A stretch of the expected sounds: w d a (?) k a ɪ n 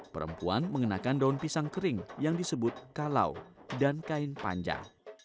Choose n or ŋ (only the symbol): n